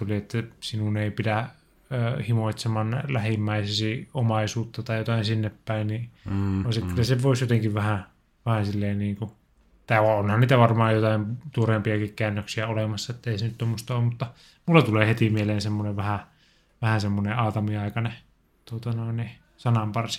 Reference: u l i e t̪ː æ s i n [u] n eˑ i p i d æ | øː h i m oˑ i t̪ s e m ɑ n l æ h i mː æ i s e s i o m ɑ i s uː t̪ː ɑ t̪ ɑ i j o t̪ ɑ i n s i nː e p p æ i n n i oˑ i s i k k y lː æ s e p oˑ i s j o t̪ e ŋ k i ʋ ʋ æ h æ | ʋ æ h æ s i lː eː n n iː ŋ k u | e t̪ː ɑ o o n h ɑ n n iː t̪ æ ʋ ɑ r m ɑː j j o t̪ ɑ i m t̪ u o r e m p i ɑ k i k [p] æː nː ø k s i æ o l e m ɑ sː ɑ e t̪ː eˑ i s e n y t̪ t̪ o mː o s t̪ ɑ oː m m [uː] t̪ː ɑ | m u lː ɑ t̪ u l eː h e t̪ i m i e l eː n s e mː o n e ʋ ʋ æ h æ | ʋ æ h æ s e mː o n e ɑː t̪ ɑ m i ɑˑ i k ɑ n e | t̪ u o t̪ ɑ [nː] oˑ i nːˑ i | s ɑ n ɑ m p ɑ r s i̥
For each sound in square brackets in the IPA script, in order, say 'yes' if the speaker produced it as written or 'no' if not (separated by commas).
yes, no, no, no